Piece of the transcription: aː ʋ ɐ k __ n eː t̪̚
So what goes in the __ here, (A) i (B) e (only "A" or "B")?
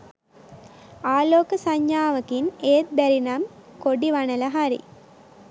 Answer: A